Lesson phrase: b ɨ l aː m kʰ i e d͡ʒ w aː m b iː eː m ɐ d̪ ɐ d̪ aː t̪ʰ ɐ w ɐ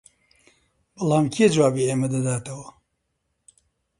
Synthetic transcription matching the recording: b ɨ l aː m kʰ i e d͡ʒ w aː b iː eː m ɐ d̪ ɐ d̪ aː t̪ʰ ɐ w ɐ

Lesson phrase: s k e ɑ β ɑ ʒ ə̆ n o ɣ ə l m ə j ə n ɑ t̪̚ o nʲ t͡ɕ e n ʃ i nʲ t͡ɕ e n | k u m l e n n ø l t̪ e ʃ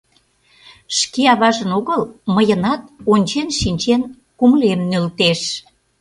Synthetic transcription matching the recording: ʃ k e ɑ β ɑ ʒ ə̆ n o ɣ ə l m ə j ə n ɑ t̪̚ o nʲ t͡ɕ e n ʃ i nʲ t͡ɕ e n | k u m l e m n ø l t̪ e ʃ

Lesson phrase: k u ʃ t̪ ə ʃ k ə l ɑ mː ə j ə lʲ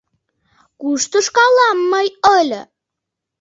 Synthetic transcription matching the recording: k u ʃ t̪ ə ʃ k ɑ l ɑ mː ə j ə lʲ

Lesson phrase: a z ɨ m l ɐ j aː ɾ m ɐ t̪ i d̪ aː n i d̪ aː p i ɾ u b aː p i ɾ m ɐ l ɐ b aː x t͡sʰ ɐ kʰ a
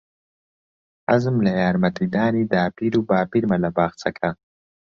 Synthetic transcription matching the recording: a z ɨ m l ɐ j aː ɾ m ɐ t̪ i d̪ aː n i d̪ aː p i ɾ u b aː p i ɾ m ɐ l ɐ b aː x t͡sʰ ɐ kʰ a

